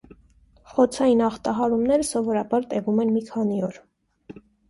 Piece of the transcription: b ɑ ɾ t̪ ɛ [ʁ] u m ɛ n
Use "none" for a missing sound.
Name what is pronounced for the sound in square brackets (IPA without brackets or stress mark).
v